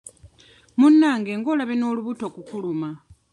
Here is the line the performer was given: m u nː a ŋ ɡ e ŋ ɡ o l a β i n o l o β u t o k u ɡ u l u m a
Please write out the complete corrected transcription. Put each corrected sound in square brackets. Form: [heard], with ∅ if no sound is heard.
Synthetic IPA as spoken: m u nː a ŋ ɡ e ŋ ɡ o l a β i n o l [u] β u t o k u [k] u l u m a

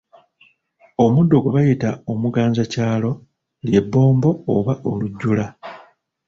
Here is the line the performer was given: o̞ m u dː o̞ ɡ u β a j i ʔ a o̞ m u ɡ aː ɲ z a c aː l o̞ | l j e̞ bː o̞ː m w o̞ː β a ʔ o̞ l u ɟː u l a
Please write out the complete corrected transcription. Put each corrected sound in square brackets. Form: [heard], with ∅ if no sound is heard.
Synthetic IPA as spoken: o̞ m u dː o̞ ɡ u β a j i [t] a o̞ m u ɡ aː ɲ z a c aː l o̞ | l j e̞ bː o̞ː m [b] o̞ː β a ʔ o̞ l u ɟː u l a

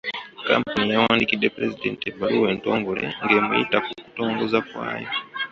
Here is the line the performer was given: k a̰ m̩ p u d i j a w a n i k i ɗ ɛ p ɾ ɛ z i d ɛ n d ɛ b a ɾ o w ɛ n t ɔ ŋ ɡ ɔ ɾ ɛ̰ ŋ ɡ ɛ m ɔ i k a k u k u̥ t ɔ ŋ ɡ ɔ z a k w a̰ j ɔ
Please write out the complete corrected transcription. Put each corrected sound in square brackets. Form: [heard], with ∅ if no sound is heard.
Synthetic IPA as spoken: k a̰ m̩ p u [n] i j a w a n i k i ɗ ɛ p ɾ ɛ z i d ɛ n [t] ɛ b a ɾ [u] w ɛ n t ɔ ŋ ɡ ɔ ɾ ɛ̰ ŋ ɡ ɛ m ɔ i [t] a k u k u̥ t ɔ ŋ ɡ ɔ z a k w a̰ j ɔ

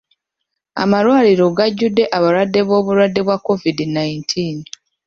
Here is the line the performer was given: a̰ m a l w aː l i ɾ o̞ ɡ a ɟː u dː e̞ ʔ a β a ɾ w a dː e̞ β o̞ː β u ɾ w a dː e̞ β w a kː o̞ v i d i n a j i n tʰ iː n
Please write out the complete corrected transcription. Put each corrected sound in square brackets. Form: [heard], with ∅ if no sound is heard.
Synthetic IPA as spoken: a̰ m a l w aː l i ɾ o̞ ɡ a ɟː u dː e̞ ʔ a β a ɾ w a dː e̞ β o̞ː β u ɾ w a dː e̞ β w a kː o̞ v i d i n a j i n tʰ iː n

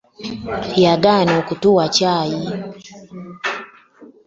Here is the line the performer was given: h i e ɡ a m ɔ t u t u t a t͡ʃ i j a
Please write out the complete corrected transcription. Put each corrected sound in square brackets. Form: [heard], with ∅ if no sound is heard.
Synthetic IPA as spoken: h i [a] ɡ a [n] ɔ [k] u t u [∅] a t͡ʃ [a] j [i]

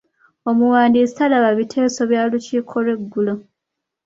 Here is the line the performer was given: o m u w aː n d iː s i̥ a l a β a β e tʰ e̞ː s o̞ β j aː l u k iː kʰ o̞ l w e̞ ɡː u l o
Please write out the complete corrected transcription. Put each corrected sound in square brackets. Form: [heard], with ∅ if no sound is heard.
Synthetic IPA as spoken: o m u w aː n d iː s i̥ a l a β a β [i] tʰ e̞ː s o̞ β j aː l u [c] iː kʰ o̞ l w e̞ ɡː u l o

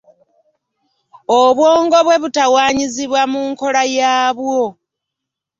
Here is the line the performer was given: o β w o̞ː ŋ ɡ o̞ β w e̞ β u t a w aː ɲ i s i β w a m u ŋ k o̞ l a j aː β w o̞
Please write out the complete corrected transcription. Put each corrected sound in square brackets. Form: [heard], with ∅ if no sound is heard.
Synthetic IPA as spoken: o β w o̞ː ŋ ɡ o̞ β w e̞ β u t a w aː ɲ i [z] i β w a m u ŋ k o̞ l a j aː β w o̞

